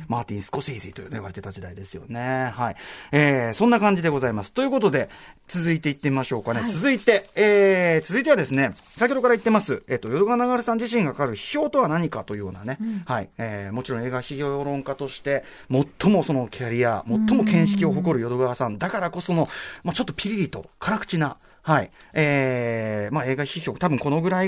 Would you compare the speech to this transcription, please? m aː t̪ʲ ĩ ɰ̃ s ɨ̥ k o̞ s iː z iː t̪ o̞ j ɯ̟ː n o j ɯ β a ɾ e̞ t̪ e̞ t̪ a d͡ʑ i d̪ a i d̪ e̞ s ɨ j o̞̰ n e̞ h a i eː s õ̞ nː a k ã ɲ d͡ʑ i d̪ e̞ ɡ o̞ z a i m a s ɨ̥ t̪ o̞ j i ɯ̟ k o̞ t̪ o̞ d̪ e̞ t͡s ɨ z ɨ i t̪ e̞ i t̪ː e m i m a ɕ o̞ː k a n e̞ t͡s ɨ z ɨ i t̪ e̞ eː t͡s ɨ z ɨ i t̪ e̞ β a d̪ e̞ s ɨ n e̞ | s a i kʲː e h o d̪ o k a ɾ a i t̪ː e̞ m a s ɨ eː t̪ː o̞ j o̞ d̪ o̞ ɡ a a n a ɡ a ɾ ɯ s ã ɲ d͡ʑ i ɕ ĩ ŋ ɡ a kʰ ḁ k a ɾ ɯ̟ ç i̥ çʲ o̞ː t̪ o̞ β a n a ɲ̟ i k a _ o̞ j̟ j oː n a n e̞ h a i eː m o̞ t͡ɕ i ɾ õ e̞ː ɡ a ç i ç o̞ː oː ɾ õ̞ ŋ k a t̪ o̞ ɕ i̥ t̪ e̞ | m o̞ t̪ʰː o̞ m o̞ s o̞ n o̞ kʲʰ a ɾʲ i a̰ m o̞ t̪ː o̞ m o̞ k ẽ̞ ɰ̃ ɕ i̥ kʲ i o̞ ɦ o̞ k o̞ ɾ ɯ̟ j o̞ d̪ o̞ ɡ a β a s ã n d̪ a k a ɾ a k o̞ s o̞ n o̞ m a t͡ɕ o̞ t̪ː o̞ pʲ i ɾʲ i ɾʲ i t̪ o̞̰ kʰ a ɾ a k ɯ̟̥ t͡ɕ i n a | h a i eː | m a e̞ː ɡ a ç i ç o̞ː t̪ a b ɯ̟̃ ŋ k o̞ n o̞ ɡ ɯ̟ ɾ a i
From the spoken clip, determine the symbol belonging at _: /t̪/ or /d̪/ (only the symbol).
t̪